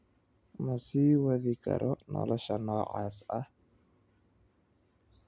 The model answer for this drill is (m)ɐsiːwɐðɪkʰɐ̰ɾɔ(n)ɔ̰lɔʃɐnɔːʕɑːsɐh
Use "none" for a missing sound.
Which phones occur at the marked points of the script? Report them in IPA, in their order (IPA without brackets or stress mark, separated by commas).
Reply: m, n